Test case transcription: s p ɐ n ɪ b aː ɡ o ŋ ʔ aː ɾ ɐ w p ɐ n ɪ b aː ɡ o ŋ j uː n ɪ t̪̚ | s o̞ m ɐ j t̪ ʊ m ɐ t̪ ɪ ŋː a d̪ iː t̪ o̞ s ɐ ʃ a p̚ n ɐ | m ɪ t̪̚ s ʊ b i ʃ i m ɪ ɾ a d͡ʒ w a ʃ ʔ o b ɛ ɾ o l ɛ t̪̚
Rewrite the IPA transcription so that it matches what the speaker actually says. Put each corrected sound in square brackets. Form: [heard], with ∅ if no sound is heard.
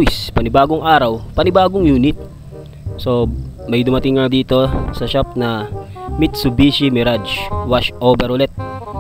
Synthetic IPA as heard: s p ɐ n ɪ b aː ɡ o ŋ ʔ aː ɾ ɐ w p ɐ n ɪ b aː ɡ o ŋ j uː n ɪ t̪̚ | s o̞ m ɐ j [d̪] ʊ m ɐ t̪ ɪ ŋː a d̪ iː t̪ o̞ s ɐ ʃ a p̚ n ɐ | m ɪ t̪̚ s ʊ b i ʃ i m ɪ ɾ a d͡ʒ w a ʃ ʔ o b ɛ ɾ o l ɛ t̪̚